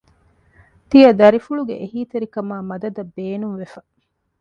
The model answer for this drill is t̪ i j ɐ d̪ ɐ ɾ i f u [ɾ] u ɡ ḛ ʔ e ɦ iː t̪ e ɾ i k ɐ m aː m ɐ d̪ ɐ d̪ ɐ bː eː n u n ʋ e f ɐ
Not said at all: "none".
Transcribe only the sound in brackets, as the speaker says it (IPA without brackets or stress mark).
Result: ɭ